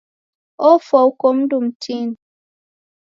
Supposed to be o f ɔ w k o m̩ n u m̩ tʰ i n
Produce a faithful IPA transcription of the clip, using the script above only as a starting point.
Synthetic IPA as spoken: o f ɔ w k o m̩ d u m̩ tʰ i n